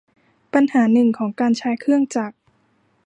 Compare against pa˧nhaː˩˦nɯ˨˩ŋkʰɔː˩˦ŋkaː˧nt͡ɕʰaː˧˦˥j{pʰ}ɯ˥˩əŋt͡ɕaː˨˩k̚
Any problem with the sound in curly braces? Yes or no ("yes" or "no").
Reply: yes